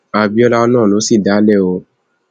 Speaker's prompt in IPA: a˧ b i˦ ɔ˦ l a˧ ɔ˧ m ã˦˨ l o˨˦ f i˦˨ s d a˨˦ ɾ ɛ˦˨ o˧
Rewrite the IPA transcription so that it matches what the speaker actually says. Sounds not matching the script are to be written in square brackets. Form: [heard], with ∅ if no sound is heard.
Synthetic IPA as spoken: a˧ b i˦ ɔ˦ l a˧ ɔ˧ [n] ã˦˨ l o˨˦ [s] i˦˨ [∅] d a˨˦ [l] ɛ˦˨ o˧